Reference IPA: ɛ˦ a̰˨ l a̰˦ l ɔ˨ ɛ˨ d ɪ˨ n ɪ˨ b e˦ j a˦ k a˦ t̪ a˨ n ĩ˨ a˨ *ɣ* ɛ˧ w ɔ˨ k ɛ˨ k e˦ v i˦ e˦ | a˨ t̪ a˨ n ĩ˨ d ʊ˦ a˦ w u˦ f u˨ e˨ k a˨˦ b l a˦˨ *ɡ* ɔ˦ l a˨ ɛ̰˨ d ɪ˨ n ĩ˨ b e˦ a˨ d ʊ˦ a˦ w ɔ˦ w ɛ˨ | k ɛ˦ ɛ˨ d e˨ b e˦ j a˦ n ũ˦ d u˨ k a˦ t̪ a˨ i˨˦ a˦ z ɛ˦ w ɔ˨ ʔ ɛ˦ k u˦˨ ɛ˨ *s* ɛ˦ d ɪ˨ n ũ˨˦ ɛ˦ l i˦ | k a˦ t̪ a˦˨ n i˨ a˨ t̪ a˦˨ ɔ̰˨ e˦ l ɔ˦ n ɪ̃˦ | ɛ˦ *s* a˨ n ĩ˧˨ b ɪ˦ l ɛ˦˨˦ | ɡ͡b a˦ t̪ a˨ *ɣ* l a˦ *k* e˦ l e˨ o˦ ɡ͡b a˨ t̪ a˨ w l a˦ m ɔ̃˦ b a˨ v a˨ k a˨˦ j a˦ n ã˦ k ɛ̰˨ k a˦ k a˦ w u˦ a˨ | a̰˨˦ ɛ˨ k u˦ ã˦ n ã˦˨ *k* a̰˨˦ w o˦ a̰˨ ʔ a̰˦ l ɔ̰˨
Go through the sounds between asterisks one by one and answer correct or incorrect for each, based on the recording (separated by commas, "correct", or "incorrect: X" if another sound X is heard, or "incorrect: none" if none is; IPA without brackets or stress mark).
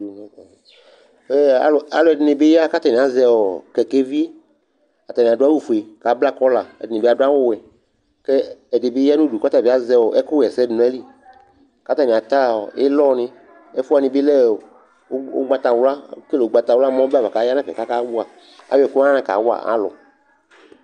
incorrect: z, incorrect: k, correct, incorrect: f, incorrect: w, correct, correct